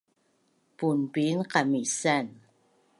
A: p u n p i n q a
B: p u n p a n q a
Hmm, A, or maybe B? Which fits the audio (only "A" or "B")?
A